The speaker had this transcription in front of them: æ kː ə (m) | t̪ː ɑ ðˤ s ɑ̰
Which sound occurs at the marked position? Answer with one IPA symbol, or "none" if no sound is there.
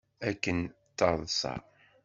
n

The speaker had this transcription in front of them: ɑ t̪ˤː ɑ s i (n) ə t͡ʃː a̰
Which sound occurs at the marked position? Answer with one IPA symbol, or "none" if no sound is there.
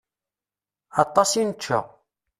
n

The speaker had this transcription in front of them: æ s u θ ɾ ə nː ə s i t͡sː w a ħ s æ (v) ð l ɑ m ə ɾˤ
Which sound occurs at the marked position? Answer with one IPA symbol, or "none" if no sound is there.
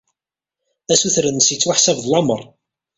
v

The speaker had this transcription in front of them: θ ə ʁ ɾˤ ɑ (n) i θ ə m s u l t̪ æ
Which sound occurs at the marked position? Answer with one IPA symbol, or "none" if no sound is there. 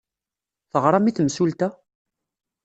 m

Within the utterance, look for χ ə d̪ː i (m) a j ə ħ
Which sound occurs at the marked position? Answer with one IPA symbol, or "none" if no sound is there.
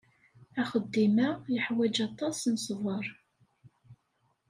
m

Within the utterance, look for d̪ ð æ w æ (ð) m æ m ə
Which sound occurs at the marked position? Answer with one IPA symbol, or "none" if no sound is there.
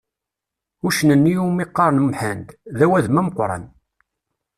ð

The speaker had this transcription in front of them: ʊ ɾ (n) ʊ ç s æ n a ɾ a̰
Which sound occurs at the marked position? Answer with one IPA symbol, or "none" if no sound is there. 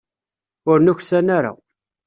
n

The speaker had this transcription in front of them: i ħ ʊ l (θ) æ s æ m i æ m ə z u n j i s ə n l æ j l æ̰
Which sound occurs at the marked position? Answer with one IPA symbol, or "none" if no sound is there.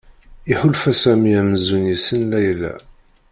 f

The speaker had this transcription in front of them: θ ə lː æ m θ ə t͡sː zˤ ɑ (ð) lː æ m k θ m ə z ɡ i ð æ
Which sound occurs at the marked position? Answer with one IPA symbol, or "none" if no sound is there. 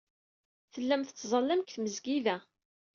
none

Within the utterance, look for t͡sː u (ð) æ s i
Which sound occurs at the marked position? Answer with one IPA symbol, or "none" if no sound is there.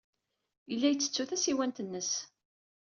θ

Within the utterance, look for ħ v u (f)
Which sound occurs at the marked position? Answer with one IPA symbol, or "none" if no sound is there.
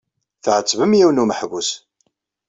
s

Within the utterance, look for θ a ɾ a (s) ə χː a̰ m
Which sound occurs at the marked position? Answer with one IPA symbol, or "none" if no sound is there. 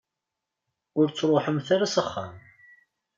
s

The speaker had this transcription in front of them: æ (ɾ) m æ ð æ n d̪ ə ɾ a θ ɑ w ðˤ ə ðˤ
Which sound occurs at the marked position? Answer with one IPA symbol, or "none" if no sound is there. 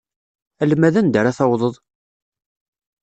l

